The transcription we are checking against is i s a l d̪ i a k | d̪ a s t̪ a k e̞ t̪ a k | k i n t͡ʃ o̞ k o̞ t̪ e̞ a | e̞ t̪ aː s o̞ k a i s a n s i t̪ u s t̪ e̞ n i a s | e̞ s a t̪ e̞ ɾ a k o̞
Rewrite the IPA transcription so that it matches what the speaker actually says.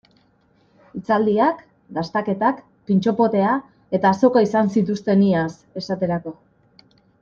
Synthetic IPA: i t͡s a l d̪ i a k | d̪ a s t̪ a k e̞ t̪ a k | p i n t͡ʃ o̞ p o̞ t̪ e̞ a | e̞ t̪ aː s o̞ k a i s a n s i t̪ u s t̪ e̞ n i a s | e̞ s a t̪ e̞ ɾ a k o̞